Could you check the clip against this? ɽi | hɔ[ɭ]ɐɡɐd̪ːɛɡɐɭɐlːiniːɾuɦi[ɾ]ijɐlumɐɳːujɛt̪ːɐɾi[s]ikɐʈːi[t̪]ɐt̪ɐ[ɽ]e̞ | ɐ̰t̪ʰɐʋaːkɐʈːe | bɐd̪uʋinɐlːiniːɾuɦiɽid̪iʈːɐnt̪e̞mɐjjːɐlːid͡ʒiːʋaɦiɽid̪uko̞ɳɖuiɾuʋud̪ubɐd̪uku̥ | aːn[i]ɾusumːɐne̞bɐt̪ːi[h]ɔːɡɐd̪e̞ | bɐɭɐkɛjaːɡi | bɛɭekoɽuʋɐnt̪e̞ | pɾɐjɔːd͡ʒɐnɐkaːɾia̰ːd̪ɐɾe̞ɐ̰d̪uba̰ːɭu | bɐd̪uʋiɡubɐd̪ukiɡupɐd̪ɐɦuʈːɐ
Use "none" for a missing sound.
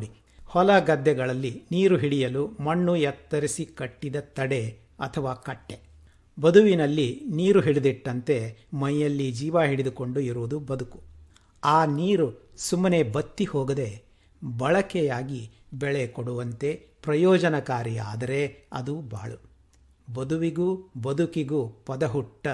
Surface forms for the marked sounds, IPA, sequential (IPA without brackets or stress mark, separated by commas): l, ɽ, s, d̪, ɽ, iː, h